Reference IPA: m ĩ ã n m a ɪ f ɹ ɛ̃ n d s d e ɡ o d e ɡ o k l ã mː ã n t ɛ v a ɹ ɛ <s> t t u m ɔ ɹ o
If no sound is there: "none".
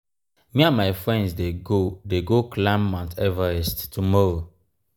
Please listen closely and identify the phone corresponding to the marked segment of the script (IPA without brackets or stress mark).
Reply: s